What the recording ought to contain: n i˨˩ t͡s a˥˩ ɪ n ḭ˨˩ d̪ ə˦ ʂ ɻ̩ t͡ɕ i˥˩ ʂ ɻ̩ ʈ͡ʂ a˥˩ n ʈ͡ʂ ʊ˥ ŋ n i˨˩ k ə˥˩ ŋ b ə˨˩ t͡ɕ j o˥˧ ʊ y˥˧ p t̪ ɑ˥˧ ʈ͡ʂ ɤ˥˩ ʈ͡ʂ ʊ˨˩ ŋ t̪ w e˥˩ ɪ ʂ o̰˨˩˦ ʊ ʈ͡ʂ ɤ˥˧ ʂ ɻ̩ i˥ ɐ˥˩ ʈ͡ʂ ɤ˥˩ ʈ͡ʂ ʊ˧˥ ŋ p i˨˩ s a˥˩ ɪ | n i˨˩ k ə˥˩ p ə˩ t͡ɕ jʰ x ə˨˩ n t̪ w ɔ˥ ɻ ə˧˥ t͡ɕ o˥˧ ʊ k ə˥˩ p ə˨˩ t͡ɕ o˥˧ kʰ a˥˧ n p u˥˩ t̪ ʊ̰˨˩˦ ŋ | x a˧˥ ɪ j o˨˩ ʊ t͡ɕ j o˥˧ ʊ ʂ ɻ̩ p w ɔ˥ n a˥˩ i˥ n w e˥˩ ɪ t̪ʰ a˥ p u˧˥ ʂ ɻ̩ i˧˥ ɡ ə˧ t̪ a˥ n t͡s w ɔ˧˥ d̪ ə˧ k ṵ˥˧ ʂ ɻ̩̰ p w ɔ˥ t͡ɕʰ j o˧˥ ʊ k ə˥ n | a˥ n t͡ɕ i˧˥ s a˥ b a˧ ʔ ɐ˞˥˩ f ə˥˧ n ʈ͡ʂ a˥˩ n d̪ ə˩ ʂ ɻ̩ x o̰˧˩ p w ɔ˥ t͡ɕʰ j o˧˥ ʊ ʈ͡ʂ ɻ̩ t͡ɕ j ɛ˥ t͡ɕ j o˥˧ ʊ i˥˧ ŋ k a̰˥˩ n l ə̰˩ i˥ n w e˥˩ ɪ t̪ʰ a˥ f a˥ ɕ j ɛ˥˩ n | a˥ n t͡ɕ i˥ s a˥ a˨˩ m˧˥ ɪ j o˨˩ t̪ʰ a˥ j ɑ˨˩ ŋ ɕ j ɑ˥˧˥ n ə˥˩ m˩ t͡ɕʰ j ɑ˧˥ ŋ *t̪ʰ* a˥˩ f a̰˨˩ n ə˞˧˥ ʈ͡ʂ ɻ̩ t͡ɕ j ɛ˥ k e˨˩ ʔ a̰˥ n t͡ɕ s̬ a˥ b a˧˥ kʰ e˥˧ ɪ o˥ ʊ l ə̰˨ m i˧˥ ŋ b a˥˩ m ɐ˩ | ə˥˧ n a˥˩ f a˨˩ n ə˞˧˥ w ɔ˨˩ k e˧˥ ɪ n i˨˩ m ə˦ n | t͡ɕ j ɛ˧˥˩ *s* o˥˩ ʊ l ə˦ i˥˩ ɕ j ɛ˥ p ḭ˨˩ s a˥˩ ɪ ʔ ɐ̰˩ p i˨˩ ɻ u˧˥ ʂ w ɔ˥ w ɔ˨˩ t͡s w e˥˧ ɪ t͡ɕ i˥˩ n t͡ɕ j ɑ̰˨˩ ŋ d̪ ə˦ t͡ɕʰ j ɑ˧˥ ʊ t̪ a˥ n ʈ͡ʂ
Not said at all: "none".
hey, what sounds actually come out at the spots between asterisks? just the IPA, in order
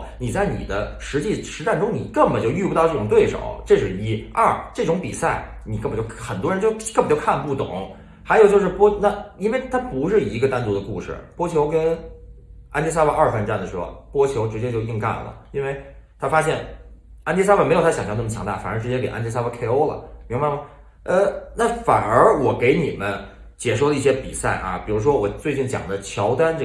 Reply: t̪, ʂ

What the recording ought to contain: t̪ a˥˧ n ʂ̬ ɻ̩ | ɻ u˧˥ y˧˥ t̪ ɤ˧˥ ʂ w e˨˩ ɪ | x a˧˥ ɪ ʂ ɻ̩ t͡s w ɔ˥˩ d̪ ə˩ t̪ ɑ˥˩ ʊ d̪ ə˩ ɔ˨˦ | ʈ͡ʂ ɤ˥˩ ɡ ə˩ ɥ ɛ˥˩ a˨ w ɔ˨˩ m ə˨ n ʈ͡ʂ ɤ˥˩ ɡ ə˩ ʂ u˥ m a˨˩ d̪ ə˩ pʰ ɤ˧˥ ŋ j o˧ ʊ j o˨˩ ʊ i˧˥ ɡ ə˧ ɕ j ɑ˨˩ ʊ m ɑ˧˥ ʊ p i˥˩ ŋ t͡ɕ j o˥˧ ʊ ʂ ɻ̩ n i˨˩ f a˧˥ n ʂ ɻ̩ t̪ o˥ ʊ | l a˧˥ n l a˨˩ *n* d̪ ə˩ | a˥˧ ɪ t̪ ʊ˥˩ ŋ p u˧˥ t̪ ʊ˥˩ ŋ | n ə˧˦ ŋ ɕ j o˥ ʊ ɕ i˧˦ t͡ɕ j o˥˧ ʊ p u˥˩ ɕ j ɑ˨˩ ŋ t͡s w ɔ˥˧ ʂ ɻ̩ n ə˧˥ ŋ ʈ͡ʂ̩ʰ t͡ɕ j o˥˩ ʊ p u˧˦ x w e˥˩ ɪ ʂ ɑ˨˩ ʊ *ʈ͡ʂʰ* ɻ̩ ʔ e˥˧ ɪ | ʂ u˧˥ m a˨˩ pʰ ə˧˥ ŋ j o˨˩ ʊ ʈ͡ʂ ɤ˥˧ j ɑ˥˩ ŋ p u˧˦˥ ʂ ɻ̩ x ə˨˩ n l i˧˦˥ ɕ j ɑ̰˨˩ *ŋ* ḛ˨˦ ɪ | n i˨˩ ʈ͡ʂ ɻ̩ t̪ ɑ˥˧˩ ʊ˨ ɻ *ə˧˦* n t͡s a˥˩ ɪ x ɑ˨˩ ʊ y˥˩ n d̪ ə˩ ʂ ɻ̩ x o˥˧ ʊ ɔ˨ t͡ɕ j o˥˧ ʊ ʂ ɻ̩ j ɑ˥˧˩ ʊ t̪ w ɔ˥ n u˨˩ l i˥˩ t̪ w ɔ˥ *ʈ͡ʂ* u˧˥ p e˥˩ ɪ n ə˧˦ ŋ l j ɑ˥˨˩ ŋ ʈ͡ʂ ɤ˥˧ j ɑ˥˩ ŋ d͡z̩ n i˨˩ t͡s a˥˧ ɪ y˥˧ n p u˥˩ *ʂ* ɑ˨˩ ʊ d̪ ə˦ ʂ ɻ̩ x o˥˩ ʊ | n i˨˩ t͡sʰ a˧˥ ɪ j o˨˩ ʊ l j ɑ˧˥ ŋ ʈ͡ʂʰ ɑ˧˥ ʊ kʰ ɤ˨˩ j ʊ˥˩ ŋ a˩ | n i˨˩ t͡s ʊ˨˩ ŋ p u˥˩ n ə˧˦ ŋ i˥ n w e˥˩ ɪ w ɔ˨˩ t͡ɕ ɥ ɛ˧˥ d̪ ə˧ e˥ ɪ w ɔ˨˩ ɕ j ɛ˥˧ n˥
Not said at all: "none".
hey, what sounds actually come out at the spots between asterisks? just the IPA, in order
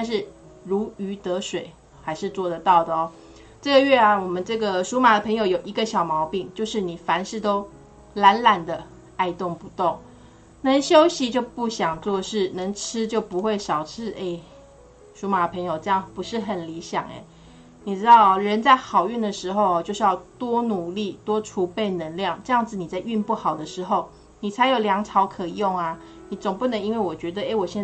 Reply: n, ʈ͡ʂʰ, ŋ, ə˧˦, ʈ͡ʂʰ, x

